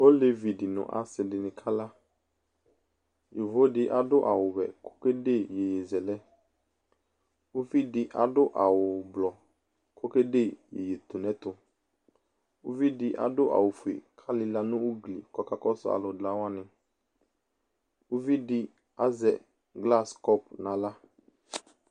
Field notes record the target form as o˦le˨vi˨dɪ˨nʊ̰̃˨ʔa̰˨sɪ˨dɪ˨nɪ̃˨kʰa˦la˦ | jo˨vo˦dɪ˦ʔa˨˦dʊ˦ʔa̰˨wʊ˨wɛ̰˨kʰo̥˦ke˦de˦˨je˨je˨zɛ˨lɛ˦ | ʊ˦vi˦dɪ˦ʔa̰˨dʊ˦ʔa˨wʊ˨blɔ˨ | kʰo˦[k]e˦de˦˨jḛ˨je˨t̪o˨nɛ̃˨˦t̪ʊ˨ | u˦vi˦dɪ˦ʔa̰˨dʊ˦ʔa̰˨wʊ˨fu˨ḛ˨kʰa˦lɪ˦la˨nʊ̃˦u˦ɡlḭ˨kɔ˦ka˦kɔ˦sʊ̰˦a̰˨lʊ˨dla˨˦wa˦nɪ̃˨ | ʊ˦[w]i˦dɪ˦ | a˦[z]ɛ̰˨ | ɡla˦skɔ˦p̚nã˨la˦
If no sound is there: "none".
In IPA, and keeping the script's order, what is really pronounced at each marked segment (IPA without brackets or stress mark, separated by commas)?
k, v, z